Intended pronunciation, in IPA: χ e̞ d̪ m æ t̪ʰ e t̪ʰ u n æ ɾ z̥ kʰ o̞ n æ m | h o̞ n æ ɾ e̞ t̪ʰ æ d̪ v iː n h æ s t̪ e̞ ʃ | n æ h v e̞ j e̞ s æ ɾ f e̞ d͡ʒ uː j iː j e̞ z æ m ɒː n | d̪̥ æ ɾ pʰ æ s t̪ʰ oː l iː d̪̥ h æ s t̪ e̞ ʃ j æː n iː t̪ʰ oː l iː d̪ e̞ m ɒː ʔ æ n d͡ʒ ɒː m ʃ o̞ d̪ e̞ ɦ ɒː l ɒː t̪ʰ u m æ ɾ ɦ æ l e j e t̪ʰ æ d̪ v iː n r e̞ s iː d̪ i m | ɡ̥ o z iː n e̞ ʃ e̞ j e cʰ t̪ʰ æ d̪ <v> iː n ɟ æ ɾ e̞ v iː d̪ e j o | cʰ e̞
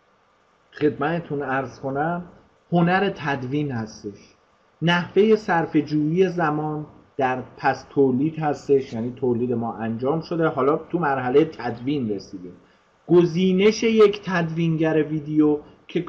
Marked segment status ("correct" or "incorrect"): correct